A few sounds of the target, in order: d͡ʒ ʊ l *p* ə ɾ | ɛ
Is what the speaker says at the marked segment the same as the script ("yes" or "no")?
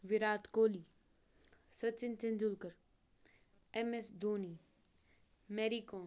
no